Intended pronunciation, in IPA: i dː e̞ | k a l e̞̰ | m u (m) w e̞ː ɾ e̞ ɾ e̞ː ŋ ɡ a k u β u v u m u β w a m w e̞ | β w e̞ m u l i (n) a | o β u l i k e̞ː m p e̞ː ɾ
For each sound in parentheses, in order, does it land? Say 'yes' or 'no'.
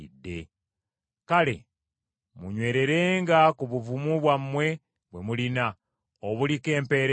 no, yes

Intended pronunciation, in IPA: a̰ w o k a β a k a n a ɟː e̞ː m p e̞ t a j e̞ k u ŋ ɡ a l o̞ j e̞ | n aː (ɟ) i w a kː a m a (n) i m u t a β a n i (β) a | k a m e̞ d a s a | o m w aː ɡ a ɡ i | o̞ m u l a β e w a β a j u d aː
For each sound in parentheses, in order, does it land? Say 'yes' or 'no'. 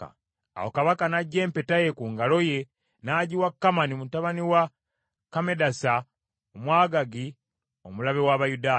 yes, yes, no

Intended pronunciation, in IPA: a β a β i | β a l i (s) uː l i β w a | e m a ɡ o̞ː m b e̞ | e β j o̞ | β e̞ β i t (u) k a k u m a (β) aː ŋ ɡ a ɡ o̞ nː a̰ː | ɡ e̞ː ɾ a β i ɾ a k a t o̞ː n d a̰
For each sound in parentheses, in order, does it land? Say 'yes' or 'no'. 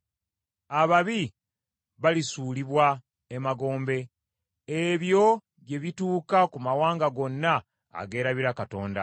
yes, no, no

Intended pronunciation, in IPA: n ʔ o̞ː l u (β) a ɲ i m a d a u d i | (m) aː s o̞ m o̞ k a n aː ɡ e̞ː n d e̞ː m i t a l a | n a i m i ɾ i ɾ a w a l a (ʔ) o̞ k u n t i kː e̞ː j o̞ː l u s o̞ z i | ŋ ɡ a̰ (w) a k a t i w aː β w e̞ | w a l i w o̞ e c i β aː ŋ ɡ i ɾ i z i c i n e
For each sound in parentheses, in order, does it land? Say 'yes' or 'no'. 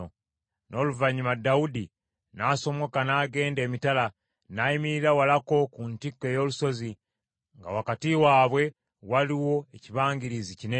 no, no, no, yes

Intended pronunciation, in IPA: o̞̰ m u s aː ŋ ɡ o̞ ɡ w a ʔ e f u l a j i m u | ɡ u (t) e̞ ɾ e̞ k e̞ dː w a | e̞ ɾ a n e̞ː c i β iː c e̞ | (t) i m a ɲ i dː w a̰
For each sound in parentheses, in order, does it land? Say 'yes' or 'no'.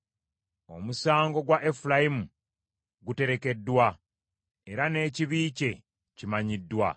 yes, no

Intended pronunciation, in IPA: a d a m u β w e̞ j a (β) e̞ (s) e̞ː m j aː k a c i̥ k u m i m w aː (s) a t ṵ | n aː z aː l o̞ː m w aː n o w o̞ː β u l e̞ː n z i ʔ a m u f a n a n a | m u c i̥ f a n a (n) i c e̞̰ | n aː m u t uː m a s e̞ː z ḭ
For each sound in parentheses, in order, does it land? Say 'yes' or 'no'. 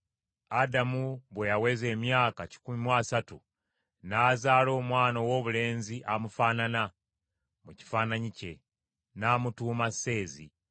no, no, yes, no

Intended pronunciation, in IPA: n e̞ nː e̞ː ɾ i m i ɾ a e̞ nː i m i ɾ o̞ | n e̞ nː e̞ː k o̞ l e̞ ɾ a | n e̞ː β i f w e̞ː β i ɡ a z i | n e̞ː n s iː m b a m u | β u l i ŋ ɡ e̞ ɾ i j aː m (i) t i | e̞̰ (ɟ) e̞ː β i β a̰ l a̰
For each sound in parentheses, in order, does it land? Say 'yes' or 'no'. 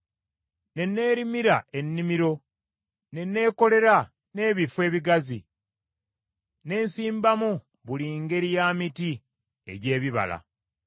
yes, yes

